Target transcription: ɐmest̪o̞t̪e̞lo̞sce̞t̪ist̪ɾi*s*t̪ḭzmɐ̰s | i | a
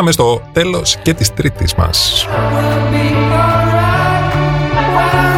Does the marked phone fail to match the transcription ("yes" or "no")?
yes